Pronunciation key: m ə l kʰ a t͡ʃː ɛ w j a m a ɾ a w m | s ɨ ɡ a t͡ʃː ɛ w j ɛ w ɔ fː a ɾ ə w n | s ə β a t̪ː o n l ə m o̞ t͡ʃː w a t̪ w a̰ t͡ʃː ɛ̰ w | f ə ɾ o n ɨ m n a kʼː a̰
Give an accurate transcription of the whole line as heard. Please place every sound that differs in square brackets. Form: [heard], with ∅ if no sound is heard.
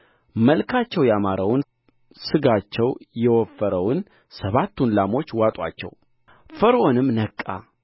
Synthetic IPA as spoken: m ə l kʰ a t͡ʃː ɛ w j a m a ɾ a w [n] | s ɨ ɡ a t͡ʃː ɛ w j ɛ w ɔ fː [ə] ɾ ə w n | s ə β a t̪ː [u] n l [a] m o̞ t͡ʃː w a [t̪ʼ] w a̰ t͡ʃː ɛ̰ w | f ə ɾ o n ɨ m n [ə] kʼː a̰